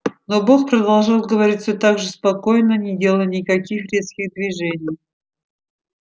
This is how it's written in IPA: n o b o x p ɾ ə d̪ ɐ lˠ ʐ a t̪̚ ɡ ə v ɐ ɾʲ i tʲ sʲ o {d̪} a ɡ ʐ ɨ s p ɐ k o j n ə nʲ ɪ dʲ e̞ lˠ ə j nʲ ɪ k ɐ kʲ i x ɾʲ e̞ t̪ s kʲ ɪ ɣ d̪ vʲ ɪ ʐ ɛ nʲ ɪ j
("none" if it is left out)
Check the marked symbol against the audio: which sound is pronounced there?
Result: t̪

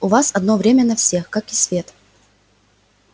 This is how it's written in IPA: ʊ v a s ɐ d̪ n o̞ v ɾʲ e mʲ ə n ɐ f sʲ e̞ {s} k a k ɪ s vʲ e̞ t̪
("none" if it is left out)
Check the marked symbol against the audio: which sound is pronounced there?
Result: x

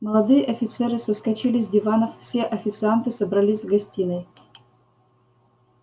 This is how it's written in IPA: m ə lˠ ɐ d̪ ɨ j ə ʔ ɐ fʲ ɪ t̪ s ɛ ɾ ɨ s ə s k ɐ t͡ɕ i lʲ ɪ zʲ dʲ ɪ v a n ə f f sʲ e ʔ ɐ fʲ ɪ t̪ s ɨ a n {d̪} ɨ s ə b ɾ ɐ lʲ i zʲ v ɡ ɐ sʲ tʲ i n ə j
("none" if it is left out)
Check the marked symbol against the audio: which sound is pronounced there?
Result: t̪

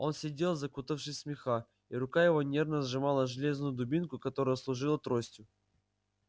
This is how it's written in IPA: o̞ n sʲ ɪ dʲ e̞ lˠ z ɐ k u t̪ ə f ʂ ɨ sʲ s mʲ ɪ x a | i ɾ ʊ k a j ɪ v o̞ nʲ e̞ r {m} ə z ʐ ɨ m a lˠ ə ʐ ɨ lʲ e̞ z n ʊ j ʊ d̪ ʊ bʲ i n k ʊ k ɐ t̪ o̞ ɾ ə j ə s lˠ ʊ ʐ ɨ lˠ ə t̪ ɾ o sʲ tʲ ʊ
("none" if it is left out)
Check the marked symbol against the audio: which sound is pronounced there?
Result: n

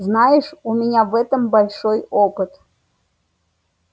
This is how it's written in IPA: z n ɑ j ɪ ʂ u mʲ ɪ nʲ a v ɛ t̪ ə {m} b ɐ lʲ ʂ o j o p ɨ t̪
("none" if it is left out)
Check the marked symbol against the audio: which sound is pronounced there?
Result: m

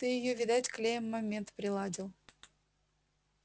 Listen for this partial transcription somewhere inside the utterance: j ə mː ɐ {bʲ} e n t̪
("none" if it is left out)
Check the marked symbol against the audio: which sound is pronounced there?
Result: mʲ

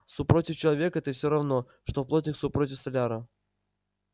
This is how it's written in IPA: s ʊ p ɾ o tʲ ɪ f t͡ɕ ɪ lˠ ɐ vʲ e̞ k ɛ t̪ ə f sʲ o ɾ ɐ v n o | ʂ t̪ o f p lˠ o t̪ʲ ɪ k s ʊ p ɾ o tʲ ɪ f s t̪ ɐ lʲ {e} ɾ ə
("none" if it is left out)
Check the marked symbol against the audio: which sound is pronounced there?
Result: a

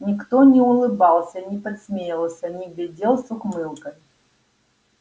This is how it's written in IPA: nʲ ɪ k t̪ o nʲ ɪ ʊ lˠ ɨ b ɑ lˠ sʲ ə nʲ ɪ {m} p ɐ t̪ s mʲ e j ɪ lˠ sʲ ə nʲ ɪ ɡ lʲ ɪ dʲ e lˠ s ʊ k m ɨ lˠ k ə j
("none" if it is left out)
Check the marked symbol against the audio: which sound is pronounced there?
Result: none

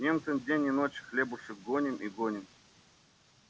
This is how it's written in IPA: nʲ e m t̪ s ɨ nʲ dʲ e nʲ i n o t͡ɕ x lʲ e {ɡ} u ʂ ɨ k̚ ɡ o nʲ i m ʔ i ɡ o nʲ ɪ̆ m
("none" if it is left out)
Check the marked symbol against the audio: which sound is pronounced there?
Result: b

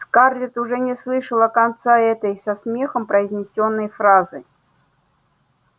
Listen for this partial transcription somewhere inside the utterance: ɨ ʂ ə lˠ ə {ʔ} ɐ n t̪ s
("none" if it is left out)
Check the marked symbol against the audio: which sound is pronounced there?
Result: k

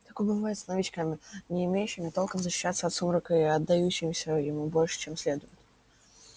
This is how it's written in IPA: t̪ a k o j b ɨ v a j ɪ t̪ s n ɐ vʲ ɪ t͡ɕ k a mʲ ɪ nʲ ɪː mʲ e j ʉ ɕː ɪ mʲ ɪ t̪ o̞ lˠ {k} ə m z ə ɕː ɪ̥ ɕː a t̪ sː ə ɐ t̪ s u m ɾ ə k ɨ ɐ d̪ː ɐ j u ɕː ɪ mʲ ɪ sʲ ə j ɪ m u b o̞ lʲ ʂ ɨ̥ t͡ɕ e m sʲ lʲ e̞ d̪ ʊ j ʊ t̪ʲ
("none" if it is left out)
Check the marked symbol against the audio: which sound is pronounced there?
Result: k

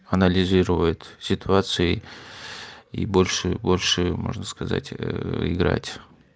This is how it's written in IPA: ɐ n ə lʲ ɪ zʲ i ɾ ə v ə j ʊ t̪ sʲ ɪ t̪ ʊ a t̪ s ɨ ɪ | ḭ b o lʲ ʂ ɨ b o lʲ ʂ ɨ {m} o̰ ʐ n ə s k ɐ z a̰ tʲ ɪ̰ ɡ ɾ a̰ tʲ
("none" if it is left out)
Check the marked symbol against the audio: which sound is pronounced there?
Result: m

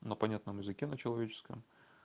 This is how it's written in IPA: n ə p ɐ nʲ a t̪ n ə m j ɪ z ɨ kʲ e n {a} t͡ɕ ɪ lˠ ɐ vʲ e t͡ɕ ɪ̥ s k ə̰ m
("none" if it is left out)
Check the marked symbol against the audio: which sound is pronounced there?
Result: ə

